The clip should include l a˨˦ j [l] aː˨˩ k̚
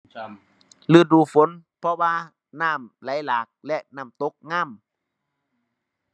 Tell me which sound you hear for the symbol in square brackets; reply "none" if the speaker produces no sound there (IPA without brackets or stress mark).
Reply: l